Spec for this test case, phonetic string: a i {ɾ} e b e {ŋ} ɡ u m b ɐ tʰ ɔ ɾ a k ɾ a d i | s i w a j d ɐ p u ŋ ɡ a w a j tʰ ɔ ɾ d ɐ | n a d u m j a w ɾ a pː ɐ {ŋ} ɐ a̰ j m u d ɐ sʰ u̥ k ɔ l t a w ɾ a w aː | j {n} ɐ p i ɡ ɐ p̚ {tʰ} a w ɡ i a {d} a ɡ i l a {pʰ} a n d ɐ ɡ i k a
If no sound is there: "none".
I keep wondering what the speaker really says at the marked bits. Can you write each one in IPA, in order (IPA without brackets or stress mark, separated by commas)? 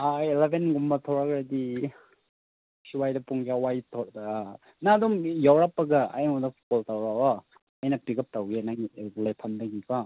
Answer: l, n, ɡ, n, t, n, pʰ